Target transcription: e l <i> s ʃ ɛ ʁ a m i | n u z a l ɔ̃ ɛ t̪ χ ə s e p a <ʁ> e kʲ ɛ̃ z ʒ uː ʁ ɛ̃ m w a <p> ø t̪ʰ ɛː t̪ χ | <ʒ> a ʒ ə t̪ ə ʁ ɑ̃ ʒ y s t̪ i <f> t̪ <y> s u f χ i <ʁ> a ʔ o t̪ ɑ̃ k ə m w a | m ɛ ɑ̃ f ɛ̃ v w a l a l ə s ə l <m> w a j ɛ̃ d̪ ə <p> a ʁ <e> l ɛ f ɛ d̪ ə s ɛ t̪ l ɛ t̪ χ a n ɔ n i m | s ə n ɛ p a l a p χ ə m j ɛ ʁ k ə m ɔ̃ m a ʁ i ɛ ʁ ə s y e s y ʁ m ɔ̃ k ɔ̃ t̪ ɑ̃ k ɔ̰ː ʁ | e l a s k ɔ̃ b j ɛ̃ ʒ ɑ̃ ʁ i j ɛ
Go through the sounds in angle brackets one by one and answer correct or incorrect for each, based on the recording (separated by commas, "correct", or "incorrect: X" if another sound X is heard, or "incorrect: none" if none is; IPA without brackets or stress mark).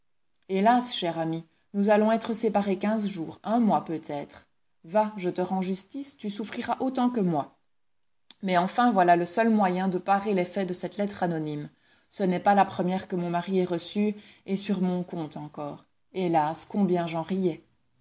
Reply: incorrect: a, correct, correct, incorrect: v, incorrect: s, correct, correct, correct, correct, correct